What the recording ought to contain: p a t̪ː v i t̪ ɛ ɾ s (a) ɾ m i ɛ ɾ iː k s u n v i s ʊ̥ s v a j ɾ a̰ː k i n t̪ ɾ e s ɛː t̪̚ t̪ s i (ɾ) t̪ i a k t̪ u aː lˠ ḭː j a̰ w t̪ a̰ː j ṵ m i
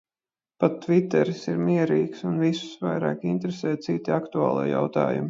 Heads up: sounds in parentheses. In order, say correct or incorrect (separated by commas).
incorrect, incorrect